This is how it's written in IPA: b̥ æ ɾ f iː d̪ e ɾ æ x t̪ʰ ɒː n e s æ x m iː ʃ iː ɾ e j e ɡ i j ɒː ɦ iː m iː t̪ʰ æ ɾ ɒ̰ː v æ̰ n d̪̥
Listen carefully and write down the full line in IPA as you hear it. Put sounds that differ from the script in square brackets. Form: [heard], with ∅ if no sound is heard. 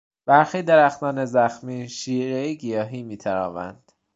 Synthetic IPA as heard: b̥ æ ɾ [x] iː d̪ e ɾ æ x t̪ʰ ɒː n e [z] æ x m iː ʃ iː ɾ e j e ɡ i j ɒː ɦ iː m iː t̪ʰ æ ɾ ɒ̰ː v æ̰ n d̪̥